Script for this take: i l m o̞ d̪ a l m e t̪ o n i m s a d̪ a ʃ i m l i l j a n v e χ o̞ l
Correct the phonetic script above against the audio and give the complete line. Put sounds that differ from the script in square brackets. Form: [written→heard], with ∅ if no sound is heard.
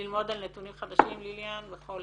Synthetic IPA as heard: i l m o̞ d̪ a l [m→n] e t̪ [o→u] n i m [s→χ] a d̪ a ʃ i m l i l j a n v e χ o̞ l